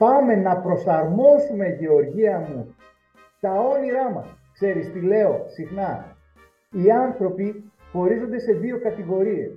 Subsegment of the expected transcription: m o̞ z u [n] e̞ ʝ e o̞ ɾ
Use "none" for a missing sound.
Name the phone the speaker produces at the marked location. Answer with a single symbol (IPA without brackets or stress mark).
m